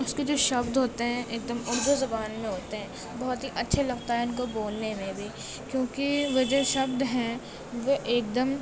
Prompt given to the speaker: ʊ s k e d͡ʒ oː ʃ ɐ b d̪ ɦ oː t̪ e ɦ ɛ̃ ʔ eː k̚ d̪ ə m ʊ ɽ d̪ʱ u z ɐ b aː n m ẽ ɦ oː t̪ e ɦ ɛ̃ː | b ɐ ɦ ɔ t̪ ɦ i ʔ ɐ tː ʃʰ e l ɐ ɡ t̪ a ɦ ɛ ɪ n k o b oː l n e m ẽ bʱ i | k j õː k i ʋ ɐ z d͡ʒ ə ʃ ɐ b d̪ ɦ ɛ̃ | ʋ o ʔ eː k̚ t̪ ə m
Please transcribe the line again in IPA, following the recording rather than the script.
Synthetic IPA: ʊ s k e d͡ʒ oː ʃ ɐ b d̪ ɦ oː t̪ e ɦ ɛ̃ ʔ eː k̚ d̪ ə m ʊ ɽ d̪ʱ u z ɐ b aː n m ẽ ɦ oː t̪ e ɦ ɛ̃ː | b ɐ ɦ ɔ t̪ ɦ i ʔ ɐ tː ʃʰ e l ɐ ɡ t̪ a ɦ ɛ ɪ n k o b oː l n e m ẽ bʱ i | k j õː k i ʋ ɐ d͡ʒ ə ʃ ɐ b d̪ ɦ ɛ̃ | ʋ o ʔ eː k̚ d̪ ə m

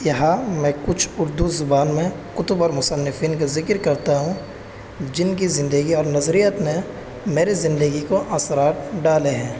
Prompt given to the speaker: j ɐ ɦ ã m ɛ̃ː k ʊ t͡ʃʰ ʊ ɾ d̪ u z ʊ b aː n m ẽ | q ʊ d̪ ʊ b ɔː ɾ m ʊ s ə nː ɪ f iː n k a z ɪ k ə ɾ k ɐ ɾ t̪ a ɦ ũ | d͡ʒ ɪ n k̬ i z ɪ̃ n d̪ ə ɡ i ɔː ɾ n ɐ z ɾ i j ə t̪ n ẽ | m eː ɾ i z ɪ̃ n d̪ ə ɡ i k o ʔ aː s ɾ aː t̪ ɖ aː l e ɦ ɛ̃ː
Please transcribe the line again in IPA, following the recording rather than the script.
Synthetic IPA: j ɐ ɦ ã m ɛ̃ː k ʊ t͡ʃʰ ʊ ɾ d̪ u z ʊ b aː n m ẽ | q ʊ t̪ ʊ b ɔː ɾ m ʊ s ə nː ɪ f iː n k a z ɪ k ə ɾ k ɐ ɾ t̪ a ɦ ũ | d͡ʒ ɪ n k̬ i z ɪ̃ n d̪ ə ɡ i ɔː ɾ n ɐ z ɾ i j ə t̪ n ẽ | m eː ɾ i z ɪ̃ n d̪ ə ɡ i k o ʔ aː s ɾ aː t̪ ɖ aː l e ɦ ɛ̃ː

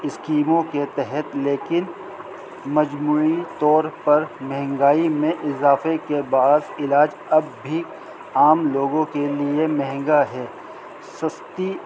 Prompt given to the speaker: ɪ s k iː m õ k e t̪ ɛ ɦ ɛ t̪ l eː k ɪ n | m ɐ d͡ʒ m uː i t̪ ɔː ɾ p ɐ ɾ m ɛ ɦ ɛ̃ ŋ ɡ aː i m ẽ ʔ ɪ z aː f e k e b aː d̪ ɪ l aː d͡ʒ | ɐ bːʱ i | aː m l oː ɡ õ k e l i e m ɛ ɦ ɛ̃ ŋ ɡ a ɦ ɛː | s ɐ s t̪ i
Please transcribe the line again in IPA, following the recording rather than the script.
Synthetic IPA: ɪ s k iː m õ k e t̪ ɛ ɦ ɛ t̪ l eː k ɪ n | m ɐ d͡ʒ m uː i t̪ ɔː ɾ p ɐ ɾ m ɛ ɦ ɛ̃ ŋ ɡ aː i m ẽ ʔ ɪ z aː f e k e b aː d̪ ɪ l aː d͡ʒ | ɐ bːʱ i | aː m l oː ɡ õ k e l i e m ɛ ɦ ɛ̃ ŋ ɡ a ɦ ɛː | s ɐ s t̪ i

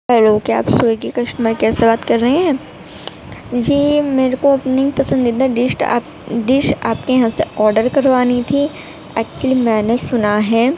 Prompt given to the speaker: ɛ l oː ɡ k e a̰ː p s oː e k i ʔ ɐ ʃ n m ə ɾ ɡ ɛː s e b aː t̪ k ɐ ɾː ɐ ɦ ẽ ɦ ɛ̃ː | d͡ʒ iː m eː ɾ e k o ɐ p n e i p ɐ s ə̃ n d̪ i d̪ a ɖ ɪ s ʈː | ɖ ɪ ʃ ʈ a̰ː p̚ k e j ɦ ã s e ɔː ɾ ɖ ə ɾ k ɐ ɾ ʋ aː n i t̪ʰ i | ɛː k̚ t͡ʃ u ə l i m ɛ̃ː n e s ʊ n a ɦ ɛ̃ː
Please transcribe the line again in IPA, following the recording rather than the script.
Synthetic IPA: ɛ l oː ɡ k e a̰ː p s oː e k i k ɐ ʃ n m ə ɾ k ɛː s e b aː t̪ k ɐ ɾː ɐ ɦ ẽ ɦ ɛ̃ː | d͡ʒ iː m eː ɾ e k o ɐ p n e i p ɐ s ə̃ n d̪ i d̪ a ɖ ɪ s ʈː | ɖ ɪ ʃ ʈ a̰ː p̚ k e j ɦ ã s e ɔː ɾ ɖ ə ɾ k ɐ ɾ ʋ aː n i t̪ʰ i | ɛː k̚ t͡ʃ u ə l i m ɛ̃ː n e s ʊ n a ɦ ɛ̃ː

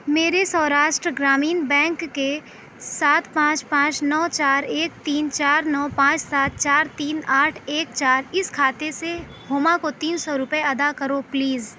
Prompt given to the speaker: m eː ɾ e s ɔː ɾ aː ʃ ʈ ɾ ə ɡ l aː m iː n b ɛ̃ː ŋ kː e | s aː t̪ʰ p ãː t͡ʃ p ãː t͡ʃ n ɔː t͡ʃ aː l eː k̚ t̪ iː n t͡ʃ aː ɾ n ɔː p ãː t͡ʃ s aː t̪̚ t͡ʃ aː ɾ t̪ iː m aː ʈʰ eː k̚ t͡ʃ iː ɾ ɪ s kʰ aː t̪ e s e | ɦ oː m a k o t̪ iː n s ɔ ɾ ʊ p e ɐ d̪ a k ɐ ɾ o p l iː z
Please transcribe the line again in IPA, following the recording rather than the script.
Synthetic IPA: m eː ɾ e s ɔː ɾ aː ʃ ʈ ɾ ə ɡ ɾ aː m iː n b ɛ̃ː ŋ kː e | s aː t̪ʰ p ãː t͡ʃ p ãː t͡ʃ n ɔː t͡ʃ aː ɾ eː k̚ t̪ iː n t͡ʃ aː ɾ n ɔː p ãː t͡ʃ s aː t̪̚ t͡ʃ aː ɾ t̪ iː n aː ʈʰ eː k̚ t͡ʃ aː ɾ ɪ s kʰ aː t̪ e s e | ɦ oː m a k o t̪ iː n s ɔ ɾ ʊ p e ɐ d̪ a k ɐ ɾ o p l iː z

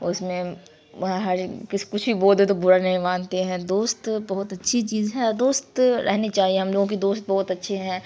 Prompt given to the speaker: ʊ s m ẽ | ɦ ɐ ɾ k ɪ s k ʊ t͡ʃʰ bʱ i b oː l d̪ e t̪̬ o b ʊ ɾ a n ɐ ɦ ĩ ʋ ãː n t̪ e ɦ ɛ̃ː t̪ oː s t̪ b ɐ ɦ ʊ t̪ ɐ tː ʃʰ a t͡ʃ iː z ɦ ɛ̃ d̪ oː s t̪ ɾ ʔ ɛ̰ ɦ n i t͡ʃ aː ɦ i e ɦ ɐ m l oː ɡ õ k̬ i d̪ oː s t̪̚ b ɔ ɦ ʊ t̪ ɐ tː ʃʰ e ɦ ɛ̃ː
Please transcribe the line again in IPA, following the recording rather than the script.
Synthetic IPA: ʊ s m ẽ | ɦ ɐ ɾ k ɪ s k ʊ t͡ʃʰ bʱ i b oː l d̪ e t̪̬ o b ʊ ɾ a n ɐ ɦ ĩ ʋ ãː n t̪ e ɦ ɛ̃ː d̪ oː s t̪ b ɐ ɦ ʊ t̪ ɐ tː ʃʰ i t͡ʃ iː z ɦ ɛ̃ d̪ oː s t̪ ɾ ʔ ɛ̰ ɦ n i t͡ʃ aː ɦ i e ɦ ɐ m l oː ɡ õ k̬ i d̪ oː s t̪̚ b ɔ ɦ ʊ t̪ ɐ tː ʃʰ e ɦ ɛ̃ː

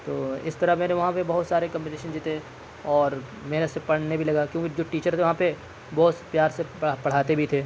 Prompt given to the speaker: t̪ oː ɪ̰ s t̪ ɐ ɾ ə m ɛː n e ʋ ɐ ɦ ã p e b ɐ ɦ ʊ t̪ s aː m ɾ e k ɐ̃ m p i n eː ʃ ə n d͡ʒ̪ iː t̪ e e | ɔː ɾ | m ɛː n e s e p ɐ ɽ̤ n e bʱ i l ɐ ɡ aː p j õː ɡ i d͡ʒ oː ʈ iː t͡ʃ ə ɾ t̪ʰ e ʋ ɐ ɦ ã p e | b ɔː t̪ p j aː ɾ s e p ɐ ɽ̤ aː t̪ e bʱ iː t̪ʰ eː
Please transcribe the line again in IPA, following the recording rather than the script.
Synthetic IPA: t̪ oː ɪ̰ s t̪ ɐ ɾ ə m ɛː n e ʋ ɐ ɦ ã p e b ɐ ɦ ʊ t̪ s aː ɾ e k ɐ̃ m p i n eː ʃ ə n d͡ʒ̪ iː t̪ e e | ɔː ɾ | m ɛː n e s e p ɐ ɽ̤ n e bʱ i l ɐ ɡ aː k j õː k i d͡ʒ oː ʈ iː t͡ʃ ə ɾ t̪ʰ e ʋ ɐ ɦ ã p e | b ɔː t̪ p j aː ɾ s e p ɐ ɽ̤ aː t̪ e bʱ i t̪ʰ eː

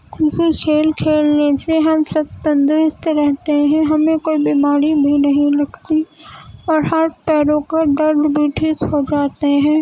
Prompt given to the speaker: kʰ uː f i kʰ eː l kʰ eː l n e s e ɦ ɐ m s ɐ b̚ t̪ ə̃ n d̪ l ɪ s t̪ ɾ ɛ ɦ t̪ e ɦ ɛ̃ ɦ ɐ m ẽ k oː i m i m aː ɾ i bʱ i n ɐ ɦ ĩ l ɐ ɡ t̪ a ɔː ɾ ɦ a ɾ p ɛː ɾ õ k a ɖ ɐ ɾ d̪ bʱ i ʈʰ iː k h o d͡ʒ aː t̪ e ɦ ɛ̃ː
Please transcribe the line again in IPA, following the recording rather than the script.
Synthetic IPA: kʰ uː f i kʰ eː l kʰ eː l n e s e ɦ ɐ m s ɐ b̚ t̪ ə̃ n d̪ ɾ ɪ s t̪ ɾ ɛ ɦ t̪ e ɦ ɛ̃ ɦ ɐ m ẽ k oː i b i m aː ɾ i bʱ i n ɐ ɦ ĩ l ɐ ɡ t̪ i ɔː ɾ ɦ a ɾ p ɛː ɾ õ k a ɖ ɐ ɾ d̪ bʱ i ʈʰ iː k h o d͡ʒ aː t̪ e ɦ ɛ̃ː

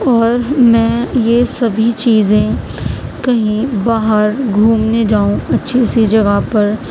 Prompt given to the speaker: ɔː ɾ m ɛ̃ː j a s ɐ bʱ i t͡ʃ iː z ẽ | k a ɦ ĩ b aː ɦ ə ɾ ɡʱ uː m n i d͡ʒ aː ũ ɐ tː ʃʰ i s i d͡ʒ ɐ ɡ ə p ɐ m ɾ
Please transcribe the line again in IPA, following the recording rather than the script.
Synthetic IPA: ɔː ɾ m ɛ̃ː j e s ɐ bʱ i t͡ʃ iː z ẽ | k ɐ ɦ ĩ b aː ɦ ə ɾ ɡʱ uː m n e d͡ʒ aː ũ ɐ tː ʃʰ i s i d͡ʒ ɐ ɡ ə p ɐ ɾ

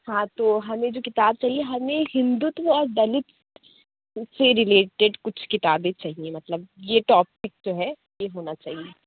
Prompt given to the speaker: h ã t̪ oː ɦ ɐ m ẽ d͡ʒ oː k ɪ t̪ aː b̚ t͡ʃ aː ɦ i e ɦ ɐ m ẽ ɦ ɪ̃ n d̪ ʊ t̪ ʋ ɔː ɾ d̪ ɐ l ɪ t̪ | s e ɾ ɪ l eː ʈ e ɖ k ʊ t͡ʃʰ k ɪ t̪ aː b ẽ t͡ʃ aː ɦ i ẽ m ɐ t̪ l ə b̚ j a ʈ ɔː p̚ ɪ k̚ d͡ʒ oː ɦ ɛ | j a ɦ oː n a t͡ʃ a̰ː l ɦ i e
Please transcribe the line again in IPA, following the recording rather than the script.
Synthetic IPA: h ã t̪ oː ɦ ɐ m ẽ d͡ʒ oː k ɪ t̪ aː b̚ t͡ʃ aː ɦ i e ɦ ɐ m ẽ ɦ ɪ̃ n d̪ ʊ t̪ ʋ ɔː ɾ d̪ ɐ l ɪ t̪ | s e ɾ ɪ l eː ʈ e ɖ k ʊ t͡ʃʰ k ɪ t̪ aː b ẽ t͡ʃ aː ɦ i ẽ m ɐ t̪ l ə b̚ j e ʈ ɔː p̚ ɪ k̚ d͡ʒ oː ɦ ɛ | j e ɦ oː n a t͡ʃ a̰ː ɦ i e

